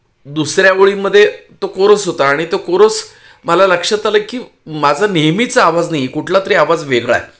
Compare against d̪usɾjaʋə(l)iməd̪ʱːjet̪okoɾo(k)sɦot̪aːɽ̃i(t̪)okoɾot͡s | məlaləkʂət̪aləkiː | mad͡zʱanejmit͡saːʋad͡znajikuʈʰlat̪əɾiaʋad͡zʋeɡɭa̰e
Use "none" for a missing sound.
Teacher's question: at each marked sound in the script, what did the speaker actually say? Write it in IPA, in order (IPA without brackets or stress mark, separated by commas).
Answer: ɭ, none, t̪